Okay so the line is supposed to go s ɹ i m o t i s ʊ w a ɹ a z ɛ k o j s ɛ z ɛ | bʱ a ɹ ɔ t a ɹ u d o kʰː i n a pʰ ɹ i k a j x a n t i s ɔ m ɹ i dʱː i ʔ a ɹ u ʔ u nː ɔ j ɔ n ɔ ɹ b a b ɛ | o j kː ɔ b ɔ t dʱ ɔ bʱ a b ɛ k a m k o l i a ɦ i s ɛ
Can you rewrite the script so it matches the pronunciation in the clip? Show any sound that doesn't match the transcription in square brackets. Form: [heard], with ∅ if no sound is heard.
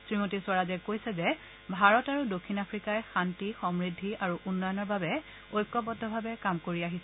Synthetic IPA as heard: s ɹ i m o t i s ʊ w a ɹ a z ɛ k o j s ɛ z ɛ | bʱ a ɹ ɔ t a ɹ u d o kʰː i n a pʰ ɹ i k a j x a n t i [x] ɔ m ɹ i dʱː i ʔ a ɹ u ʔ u nː ɔ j ɔ n ɔ ɹ b a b ɛ | o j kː ɔ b ɔ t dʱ ɔ bʱ a b ɛ k a m k o [ɹ] i a ɦ i s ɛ